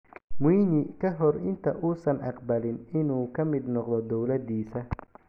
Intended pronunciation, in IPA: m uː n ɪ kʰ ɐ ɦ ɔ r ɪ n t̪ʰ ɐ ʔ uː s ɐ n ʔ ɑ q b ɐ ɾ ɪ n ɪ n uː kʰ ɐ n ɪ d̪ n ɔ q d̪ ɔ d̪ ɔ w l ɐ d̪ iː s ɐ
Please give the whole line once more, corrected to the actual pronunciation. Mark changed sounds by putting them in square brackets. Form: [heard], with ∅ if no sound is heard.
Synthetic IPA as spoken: m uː n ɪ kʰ ɐ ɦ ɔ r ɪ n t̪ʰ ɐ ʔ uː s ɐ n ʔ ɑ q b ɐ [l] ɪ n ɪ n uː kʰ ɐ [m] ɪ d̪ n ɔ q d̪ ɔ d̪ ɔ w l ɐ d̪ iː s ɐ